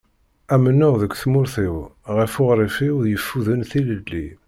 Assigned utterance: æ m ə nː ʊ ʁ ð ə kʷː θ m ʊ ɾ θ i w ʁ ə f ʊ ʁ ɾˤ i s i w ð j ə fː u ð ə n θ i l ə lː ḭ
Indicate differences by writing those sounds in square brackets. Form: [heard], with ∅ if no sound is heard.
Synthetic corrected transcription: æ m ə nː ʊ ʁ ð ə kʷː θ m ʊ ɾ θ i w ʁ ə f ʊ ʁ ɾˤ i [f] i w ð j ə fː u ð ə n θ i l ə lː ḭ